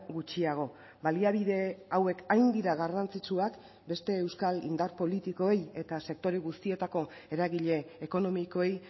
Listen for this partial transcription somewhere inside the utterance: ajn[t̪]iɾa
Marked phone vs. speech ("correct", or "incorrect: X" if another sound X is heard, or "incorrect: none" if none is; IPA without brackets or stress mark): incorrect: d̪